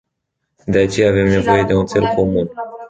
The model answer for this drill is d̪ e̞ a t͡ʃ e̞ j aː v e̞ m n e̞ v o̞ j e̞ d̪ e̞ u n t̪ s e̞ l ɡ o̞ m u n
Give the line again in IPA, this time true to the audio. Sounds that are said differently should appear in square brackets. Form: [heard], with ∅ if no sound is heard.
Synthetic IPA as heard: d̪ e̞ a t͡ʃ e̞ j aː v e̞ m n e̞ v o̞ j e̞ d̪ e̞ u n t̪ s e̞ l [k] o̞ m u n

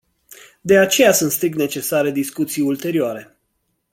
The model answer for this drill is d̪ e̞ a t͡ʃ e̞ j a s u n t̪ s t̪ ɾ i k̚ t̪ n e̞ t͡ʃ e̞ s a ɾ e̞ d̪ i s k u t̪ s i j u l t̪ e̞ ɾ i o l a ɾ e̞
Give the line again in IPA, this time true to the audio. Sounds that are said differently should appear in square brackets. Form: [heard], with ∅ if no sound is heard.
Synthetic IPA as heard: d̪ e̞ a t͡ʃ e̞ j a s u n t̪ s t̪ ɾ i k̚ t̪ n e̞ t͡ʃ e̞ s a ɾ e̞ d̪ i s k u t̪ s i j u l t̪ e̞ ɾ i o [∅] a ɾ e̞

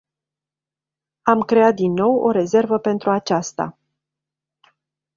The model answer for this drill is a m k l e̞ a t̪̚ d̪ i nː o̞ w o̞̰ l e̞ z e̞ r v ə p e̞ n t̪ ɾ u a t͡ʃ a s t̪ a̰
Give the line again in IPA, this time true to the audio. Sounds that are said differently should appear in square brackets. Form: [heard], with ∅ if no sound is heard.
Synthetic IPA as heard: a m k [ɾ] e̞ a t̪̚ d̪ i nː o̞ w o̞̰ [ɾ] e̞ z e̞ r v ə p e̞ n t̪ ɾ u a t͡ʃ a s t̪ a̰

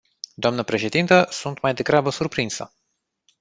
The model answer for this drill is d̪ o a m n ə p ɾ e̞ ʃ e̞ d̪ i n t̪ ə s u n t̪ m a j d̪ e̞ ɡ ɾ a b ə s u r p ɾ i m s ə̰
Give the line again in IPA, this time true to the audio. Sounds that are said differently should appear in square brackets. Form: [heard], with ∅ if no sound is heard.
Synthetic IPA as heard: d̪ o a m n ə p ɾ e̞ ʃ e̞ d̪ i n t̪ ə s u n t̪ m a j d̪ e̞ ɡ ɾ a b ə s u r p ɾ i [n] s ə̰

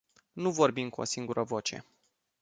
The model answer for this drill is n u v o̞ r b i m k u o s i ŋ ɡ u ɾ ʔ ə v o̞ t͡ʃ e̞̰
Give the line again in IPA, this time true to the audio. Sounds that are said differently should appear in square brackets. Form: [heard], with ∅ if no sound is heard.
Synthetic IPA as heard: n u v o̞ r b i m k u o s i ŋ ɡ u ɾ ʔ ə v o̞ t͡ʃ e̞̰

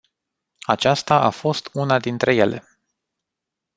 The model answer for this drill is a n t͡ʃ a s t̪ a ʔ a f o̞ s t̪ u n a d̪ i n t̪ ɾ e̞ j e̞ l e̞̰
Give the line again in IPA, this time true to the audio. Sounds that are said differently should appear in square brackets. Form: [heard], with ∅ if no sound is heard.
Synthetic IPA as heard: a [∅] t͡ʃ a s t̪ a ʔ a f o̞ s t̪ u n a d̪ i n t̪ ɾ e̞ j e̞ l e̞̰

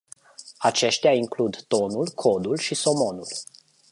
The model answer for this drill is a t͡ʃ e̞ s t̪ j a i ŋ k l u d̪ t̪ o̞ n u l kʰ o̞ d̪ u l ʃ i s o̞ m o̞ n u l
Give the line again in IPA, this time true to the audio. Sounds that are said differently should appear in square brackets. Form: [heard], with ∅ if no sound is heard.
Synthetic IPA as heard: a t͡ʃ e̞ [ʃ] t̪ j a i ŋ k l u d̪ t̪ o̞ n u l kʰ o̞ d̪ u l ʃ i s o̞ m o̞ n u l

